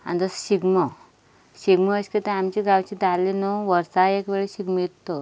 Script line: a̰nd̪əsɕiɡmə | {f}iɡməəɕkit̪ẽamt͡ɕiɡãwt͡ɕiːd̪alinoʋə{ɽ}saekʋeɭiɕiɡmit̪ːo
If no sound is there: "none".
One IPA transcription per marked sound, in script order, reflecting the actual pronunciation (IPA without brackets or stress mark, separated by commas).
ɕ, ɾ